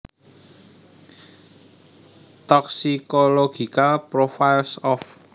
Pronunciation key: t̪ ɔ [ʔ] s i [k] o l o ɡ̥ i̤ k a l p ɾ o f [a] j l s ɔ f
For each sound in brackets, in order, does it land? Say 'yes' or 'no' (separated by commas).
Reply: no, yes, yes